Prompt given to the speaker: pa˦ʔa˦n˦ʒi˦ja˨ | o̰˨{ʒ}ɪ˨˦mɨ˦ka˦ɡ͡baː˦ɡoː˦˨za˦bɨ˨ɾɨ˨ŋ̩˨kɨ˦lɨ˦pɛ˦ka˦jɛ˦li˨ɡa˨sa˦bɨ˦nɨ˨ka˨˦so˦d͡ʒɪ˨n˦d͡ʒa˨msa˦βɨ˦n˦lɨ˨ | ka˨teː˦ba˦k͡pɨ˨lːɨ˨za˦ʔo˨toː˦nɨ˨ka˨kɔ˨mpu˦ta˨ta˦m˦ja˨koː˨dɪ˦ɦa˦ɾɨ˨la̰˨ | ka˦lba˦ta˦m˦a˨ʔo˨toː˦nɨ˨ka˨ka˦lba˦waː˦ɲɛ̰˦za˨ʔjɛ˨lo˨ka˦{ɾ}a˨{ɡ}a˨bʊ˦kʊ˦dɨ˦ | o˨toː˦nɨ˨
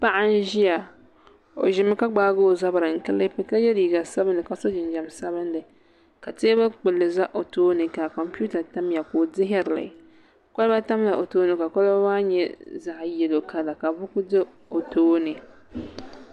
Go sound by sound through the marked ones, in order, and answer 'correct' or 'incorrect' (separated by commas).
correct, incorrect, incorrect